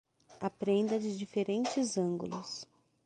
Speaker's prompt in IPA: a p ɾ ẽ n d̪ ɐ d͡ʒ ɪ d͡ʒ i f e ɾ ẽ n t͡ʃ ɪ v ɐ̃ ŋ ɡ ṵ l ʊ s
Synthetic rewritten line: a p ɾ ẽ n d̪ ɐ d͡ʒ ɪ d͡ʒ i f e ɾ ẽ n t͡ʃ ɪ z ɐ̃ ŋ ɡ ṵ l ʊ s